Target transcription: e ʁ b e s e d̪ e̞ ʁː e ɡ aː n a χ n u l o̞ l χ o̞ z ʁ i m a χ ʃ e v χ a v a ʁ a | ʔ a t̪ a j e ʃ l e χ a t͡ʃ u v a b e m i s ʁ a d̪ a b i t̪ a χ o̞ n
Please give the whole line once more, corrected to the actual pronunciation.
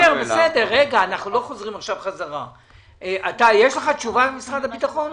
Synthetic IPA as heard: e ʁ b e s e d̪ e̞ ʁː e ɡ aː n a χ n u l o̞ χ o̞ z ʁ i m a χ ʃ a v χ a z a ʁ a | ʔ a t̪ a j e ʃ l e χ a t͡ʃ u v a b e m i s ʁ a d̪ a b i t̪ a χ o̞ n